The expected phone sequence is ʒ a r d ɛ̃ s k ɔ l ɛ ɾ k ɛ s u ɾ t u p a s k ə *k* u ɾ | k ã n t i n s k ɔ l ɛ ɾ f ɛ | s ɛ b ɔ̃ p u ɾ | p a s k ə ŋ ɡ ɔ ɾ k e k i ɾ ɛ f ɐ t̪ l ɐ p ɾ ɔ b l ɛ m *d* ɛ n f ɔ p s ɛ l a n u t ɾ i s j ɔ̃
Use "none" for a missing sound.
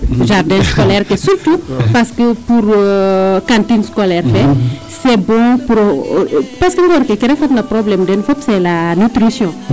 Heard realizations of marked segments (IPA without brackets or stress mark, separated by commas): p, d